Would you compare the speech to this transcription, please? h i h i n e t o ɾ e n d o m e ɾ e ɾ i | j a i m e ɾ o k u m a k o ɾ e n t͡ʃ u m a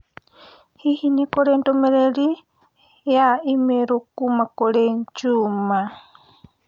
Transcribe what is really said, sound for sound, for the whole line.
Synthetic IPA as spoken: h i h i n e k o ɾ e n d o m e ɾ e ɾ i | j a i m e ɾ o k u m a k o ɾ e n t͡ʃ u m a